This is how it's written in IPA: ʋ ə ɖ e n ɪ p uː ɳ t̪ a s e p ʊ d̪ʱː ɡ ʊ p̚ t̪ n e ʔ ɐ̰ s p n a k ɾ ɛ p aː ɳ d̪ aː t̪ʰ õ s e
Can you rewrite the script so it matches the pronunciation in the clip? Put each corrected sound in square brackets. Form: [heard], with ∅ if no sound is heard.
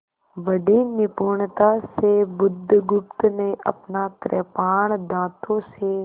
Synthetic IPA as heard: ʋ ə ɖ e n ɪ p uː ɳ t̪ a s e [b] ʊ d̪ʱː ɡ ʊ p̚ t̪ n e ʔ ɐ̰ [∅] p n a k ɾ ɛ p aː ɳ d̪ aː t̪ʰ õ s e